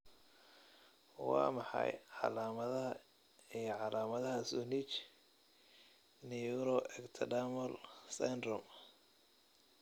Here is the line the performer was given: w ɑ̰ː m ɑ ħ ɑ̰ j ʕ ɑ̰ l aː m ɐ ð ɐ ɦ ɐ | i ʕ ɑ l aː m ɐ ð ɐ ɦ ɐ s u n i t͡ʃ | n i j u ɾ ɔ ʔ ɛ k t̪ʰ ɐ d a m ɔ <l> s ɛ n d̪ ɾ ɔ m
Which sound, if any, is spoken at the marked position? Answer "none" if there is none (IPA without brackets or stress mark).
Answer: l